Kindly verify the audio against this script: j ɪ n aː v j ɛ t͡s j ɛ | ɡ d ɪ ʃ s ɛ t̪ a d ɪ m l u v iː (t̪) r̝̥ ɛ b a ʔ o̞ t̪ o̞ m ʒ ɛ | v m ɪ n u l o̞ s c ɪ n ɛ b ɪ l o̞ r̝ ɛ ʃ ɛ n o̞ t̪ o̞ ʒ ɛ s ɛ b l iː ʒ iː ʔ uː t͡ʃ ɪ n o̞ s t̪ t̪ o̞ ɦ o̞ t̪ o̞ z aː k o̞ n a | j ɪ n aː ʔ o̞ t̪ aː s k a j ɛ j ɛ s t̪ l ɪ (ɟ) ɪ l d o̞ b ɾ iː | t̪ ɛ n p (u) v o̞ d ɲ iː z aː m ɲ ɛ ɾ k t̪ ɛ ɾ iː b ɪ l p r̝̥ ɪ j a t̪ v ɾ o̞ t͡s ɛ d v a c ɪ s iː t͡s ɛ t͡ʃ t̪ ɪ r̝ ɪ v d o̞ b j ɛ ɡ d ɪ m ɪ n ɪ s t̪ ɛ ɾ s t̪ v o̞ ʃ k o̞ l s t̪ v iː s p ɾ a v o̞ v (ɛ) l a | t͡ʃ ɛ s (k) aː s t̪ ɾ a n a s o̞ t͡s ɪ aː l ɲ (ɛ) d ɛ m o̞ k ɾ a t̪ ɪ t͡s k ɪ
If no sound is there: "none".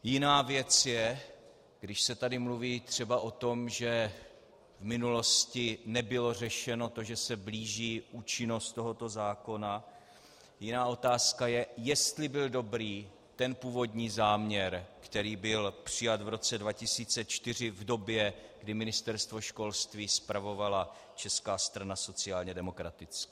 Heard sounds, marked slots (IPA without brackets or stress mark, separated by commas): t̪, b, uː, a, k, ɛ